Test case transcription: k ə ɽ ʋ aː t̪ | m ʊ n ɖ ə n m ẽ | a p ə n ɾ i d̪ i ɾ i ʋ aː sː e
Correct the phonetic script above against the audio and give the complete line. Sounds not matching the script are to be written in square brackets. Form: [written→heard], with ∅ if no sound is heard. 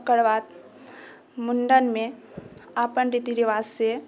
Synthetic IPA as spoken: k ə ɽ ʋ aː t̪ | m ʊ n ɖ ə n m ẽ | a p ə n ɾ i [d̪→t̪] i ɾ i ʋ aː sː e